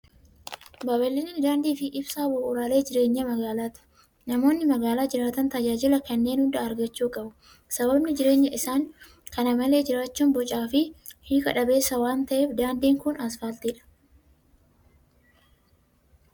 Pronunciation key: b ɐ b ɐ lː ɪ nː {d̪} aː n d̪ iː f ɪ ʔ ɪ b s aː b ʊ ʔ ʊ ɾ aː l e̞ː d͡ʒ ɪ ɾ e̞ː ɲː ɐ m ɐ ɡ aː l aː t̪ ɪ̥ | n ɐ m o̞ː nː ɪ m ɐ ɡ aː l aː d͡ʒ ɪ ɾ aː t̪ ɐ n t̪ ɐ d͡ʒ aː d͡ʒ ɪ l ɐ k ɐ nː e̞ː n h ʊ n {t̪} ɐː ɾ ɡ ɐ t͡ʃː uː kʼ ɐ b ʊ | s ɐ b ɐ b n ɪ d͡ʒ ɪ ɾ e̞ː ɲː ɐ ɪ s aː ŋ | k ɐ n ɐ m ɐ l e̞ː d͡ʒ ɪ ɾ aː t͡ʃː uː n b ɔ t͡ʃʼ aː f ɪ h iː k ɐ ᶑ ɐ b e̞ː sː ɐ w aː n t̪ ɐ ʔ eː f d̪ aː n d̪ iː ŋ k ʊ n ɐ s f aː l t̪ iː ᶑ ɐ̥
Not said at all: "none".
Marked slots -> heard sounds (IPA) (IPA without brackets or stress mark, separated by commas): d̪, d̪